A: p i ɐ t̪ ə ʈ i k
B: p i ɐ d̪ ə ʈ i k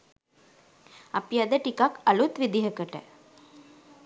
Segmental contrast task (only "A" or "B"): B